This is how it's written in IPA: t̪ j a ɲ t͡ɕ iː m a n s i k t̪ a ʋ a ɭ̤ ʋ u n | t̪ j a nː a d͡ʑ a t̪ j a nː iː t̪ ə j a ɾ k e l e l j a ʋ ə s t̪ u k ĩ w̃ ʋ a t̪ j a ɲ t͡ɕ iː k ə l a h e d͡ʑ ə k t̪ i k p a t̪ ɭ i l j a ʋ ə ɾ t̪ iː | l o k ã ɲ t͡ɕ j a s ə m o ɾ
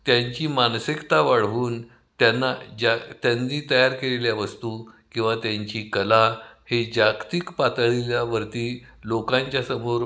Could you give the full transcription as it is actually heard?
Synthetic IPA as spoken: t̪ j a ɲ t͡ɕ iː m a n s i k t̪ a ʋ a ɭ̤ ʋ uː n | t̪ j a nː a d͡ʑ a t̪ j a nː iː t̪ ə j a ɾ k e l e l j a ʋ ə s t̪ u k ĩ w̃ ʋ a t̪ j a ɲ t͡ɕ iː k ə l a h e d͡ʑ a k t̪ i k p a t̪ ɭ i l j a ʋ ə ɾ t̪ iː | l o k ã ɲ t͡ɕ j a s ə m o ɾ